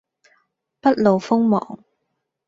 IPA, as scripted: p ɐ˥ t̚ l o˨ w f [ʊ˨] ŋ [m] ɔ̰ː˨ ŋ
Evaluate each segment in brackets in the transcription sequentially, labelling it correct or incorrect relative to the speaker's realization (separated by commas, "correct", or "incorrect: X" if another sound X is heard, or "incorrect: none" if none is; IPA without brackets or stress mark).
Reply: incorrect: ʊ˥, correct